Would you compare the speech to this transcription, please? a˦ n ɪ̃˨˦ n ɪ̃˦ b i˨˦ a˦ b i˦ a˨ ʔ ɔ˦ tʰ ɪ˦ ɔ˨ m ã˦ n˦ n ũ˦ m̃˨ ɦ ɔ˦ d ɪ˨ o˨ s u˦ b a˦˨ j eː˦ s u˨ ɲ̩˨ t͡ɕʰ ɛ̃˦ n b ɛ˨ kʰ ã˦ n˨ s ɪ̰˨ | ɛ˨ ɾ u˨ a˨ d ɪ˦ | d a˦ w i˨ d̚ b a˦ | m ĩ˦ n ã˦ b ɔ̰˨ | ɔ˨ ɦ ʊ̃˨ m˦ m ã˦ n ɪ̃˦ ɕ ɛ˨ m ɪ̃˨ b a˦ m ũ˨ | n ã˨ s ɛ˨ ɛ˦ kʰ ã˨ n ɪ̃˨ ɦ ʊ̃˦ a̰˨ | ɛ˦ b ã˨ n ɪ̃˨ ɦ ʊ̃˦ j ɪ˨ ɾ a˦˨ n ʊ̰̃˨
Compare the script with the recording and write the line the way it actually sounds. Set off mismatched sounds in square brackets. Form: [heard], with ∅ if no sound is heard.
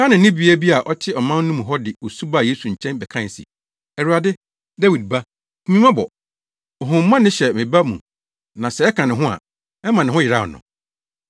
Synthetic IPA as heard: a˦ n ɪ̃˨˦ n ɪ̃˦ b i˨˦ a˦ b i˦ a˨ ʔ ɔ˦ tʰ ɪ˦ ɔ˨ m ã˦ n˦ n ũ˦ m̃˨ ɦ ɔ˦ d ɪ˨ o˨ s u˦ b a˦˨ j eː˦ s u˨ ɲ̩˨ t͡ɕʰ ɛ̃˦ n b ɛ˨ kʰ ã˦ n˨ s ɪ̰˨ | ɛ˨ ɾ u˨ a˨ d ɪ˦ | d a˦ w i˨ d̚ b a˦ | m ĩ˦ [m] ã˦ b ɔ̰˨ | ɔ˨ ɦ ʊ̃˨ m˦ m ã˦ n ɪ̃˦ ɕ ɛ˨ m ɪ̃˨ b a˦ m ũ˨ | n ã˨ s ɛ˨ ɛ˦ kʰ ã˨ n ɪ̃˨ ɦ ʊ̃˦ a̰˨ | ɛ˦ [m] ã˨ n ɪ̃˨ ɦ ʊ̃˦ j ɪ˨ ɾ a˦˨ n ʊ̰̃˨